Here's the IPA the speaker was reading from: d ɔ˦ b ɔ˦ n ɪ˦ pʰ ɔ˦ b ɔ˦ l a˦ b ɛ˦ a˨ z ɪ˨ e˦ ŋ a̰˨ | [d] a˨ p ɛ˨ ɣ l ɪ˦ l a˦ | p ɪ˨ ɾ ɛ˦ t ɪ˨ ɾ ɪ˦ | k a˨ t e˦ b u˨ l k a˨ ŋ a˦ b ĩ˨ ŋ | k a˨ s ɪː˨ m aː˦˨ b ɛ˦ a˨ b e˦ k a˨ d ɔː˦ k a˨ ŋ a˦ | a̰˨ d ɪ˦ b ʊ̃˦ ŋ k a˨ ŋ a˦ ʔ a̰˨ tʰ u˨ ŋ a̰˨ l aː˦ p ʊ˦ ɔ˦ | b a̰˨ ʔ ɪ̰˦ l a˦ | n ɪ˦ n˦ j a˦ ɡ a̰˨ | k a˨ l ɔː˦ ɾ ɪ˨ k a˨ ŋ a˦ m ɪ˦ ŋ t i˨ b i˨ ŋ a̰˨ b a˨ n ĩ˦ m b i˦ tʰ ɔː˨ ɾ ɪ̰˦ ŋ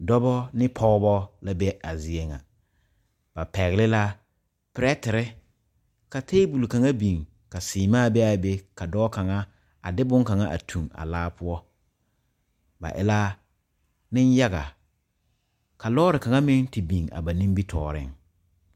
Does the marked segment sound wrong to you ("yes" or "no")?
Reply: yes